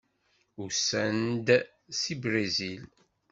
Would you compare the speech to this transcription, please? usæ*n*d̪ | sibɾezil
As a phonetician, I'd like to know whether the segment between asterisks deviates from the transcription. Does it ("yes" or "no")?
no